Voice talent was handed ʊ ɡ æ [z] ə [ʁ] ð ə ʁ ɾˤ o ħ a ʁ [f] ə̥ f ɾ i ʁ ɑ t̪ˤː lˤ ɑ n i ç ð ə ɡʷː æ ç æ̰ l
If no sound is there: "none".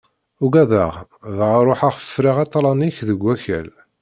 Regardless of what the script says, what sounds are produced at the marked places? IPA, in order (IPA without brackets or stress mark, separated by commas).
ð, ʁ, f